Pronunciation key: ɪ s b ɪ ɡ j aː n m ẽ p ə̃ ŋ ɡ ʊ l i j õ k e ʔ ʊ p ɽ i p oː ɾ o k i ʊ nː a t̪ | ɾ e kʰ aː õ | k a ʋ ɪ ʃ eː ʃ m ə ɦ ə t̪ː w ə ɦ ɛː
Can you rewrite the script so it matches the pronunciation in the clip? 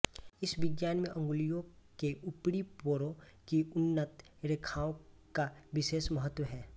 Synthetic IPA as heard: ɪ s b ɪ ɡ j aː n m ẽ ʔ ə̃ ŋ ɡ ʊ l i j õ k e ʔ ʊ p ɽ i p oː ɾ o k i ʊ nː ə t̪ | ɾ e kʰ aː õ | k a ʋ ɪ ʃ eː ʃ m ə ɦ ə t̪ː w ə ɦ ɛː